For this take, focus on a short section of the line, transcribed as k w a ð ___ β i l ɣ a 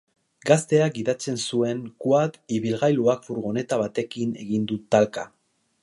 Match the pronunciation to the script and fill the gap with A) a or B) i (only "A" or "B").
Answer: B